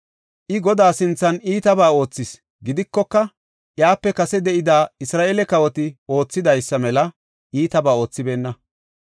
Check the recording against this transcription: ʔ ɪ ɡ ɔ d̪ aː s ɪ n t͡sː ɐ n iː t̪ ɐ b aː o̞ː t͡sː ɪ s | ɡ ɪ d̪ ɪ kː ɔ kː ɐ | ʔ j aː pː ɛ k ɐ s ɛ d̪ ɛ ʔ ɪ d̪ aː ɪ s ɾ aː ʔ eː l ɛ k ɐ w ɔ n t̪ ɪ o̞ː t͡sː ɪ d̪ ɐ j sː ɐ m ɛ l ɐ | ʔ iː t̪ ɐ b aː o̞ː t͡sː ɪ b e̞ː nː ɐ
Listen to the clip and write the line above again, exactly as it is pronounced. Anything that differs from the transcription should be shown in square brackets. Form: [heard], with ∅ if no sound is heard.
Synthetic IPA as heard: ʔ ɪ ɡ ɔ d̪ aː s ɪ n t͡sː ɐ n iː t̪ ɐ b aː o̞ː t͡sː ɪ s | ɡ ɪ d̪ ɪ kː ɔ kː ɐ | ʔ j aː pː ɛ k ɐ s ɛ d̪ ɛ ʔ ɪ d̪ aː ɪ s ɾ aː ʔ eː l ɛ k ɐ w ɔ [∅] t̪ ɪ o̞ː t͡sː ɪ d̪ ɐ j sː ɐ m ɛ l ɐ | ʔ iː t̪ ɐ b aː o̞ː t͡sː ɪ b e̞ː nː ɐ